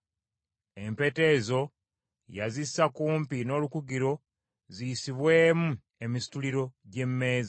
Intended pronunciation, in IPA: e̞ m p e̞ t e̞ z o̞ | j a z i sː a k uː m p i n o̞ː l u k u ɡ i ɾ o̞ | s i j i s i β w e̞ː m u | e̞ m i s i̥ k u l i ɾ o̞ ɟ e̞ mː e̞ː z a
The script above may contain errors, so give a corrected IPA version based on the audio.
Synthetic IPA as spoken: e̞ m p e̞ t e̞ z o̞ | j a z i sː a k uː m p i n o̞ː l u k u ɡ i ɾ o̞ | z i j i s i β w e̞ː m u | e̞ m i s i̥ t u l i ɾ o̞ ɟ e̞ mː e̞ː z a